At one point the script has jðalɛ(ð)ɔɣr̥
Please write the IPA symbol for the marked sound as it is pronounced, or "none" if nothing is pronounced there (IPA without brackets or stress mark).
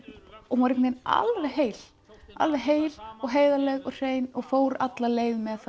ɣ